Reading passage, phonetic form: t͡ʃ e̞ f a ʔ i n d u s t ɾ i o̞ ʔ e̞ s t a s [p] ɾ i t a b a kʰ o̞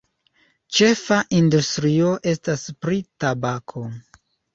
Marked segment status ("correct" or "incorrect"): correct